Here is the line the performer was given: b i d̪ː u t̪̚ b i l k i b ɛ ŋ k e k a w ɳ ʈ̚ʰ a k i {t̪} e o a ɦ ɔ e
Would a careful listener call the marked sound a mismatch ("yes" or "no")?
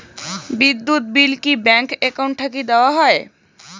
yes